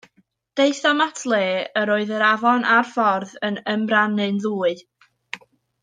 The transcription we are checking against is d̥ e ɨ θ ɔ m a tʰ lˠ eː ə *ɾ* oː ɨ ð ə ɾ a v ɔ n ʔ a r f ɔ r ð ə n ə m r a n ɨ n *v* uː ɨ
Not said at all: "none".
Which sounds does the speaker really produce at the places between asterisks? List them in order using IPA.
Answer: ɾ, ð

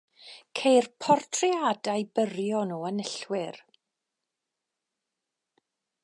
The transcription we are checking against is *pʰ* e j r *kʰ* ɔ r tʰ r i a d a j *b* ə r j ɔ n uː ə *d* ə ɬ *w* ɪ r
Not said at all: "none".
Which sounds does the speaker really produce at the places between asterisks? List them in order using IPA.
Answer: kʰ, pʰ, b, n, w

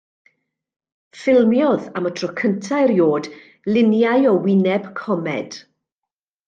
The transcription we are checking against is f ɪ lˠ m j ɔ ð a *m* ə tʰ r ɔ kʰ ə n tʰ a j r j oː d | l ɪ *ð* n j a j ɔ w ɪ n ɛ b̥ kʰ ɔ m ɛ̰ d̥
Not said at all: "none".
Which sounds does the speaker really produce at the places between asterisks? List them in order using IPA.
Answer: m, none

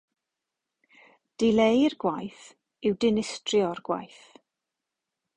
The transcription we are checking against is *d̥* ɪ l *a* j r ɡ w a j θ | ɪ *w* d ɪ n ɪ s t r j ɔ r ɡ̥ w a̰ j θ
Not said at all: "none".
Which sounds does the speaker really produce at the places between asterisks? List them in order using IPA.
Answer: d̥, e, w

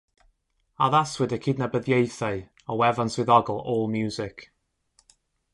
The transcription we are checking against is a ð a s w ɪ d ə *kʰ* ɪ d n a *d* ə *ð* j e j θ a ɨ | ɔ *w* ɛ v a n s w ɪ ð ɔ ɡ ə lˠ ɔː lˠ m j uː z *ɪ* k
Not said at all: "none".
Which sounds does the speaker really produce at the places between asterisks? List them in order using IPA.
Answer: kʰ, b, ð, w, ɪ

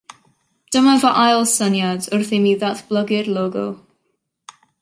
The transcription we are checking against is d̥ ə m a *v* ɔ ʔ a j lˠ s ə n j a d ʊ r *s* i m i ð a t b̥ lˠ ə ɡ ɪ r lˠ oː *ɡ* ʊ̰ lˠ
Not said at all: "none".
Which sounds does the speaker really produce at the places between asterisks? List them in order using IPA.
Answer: v, θ, ɡ

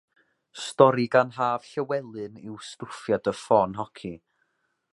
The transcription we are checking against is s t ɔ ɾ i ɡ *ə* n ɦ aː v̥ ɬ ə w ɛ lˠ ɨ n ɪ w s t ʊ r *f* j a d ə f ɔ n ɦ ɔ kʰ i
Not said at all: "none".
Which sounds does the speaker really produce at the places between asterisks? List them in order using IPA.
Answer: a, f

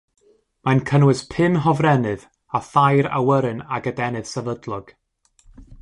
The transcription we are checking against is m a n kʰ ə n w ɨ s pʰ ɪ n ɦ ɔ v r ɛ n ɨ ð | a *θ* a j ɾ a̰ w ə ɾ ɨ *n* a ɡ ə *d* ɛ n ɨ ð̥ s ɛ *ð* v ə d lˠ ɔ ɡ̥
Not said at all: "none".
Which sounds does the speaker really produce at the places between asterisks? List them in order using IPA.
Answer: θ, n, d, none

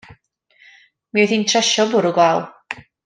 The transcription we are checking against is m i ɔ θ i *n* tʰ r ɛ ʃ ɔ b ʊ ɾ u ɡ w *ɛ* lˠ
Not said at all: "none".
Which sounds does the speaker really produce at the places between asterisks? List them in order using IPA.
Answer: n, a

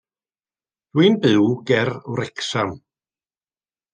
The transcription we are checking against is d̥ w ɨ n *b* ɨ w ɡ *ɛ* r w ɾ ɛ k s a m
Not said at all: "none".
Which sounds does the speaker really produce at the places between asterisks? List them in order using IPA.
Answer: b, ɛ

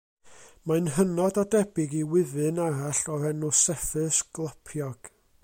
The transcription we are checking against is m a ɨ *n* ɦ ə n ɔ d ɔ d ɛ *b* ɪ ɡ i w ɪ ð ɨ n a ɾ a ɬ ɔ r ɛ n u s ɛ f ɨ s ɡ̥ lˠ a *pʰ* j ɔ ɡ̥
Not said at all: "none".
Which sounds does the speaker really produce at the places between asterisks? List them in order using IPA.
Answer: n, b, pʰ

